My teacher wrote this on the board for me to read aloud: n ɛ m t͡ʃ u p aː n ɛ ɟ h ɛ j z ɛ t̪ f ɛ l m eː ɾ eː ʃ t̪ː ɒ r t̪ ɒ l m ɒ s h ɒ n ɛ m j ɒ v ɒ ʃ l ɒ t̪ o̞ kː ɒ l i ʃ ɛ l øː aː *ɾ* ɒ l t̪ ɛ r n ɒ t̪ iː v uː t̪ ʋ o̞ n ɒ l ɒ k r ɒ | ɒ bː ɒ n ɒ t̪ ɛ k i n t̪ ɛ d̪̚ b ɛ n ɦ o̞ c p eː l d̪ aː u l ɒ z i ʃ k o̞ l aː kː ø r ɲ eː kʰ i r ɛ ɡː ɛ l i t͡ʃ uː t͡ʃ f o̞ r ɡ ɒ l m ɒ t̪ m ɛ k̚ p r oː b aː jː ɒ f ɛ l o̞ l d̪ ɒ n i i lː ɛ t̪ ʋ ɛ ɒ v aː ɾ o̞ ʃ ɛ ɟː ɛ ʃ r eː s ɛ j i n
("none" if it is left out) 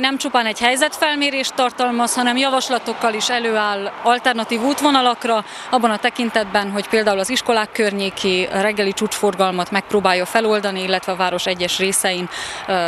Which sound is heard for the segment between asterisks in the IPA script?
l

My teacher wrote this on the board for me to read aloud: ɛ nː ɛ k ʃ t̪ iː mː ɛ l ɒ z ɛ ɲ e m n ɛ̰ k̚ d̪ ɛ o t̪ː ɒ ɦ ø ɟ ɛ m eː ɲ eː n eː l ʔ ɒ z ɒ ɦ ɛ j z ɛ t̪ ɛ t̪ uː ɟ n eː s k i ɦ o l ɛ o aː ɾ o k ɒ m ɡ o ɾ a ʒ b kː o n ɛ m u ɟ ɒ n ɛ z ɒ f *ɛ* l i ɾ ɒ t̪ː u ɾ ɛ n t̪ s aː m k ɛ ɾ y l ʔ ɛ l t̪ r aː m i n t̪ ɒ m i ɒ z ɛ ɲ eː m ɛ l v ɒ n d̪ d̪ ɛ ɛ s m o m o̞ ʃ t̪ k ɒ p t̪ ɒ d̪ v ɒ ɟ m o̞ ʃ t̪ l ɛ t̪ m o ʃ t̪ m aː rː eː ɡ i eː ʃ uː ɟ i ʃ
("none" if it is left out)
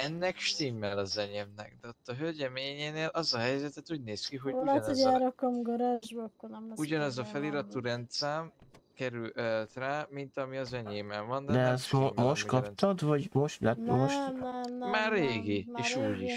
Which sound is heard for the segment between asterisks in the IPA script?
ɛ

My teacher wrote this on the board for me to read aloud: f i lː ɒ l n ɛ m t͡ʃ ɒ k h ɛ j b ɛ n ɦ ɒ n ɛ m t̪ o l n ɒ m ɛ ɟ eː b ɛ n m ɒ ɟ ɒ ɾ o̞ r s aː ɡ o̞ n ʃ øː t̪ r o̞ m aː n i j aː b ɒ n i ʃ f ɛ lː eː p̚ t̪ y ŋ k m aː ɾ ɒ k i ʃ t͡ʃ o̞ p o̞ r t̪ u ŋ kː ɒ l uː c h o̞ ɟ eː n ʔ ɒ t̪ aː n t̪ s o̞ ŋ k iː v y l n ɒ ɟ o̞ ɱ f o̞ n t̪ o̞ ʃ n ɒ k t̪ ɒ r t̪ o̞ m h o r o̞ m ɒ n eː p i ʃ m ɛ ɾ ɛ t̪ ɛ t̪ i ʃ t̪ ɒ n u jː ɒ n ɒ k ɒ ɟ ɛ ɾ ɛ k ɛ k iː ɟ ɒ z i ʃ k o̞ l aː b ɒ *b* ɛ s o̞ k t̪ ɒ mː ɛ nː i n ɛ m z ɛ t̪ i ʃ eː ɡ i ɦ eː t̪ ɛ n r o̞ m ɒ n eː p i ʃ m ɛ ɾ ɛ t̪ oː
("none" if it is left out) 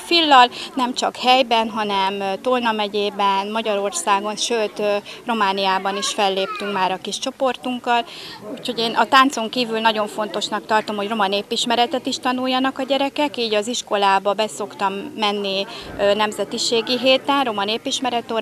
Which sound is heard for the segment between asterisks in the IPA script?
b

